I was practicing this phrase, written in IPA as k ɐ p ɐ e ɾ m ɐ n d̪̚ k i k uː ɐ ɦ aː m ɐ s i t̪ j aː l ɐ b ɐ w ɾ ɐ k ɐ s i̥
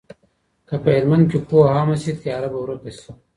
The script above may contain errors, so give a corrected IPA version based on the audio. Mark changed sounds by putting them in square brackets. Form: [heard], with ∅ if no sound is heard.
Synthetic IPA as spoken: k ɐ p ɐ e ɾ m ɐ n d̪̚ k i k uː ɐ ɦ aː m ɐ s i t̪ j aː [ɾ] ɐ b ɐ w ɾ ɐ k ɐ s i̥